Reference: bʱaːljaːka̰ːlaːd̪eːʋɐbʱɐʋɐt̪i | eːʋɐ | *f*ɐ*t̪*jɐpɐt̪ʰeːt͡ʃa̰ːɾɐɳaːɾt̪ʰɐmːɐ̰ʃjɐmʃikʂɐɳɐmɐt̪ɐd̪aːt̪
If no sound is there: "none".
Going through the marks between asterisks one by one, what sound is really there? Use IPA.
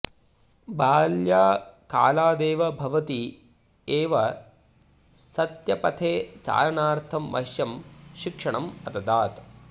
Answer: s, t̪

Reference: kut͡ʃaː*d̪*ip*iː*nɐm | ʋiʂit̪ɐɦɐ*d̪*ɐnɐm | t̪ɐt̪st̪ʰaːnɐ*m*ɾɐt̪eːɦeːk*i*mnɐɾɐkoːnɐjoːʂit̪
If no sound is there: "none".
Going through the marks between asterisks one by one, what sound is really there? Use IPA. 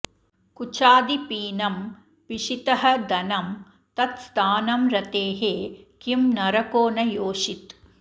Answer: d̪, iː, d̪, m, i

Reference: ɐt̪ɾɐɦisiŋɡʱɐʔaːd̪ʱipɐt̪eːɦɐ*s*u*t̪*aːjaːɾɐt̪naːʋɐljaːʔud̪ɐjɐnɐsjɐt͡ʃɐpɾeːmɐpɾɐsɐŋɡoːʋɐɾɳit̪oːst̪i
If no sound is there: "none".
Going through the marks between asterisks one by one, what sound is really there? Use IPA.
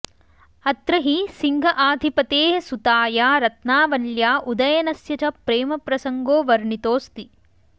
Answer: s, t̪

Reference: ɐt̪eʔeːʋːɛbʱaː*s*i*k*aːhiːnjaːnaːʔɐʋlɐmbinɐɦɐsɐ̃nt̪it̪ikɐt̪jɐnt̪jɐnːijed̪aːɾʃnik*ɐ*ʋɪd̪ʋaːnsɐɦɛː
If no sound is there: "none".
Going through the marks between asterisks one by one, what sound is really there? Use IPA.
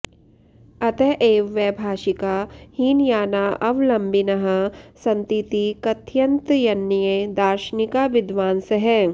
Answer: ʃ, k, a

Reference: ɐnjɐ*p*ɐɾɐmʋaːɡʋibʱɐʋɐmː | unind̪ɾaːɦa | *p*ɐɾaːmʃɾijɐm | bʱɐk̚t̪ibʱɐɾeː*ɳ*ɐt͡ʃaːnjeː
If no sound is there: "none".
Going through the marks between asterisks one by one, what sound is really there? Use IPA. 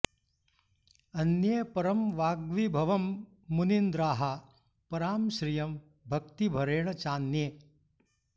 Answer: p, p, ɳ

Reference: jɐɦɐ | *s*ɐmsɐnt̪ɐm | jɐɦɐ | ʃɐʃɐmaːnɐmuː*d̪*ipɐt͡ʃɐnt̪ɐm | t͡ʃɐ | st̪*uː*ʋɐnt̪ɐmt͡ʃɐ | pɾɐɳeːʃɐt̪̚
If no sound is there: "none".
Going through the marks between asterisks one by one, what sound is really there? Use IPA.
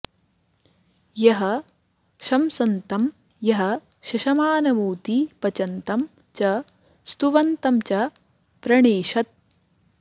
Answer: ʃ, t̪, u

